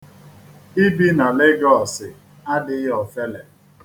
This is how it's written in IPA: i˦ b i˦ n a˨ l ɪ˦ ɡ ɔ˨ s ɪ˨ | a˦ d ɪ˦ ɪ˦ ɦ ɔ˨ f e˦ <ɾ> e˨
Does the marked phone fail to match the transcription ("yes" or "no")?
yes